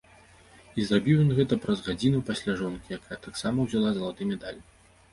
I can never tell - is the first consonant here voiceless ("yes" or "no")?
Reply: no